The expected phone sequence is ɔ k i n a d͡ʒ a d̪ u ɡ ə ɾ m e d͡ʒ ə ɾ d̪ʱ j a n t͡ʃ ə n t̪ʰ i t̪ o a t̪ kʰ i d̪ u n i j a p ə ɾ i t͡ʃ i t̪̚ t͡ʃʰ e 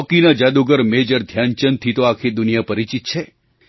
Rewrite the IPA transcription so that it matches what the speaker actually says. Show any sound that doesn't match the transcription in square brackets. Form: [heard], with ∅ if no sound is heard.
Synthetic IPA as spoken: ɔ k i n a d͡ʒ a d̪ u ɡ ə ɾ m e d͡ʒ ə ɾ d̪ʱ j a n t͡ʃ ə n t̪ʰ i t̪ o a [∅] kʰ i d̪ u n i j a p ə ɾ i t͡ʃ i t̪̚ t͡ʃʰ e